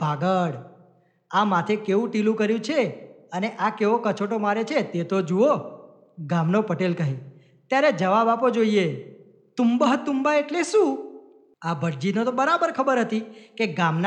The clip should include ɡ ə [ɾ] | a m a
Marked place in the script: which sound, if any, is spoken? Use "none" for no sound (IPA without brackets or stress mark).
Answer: ɽ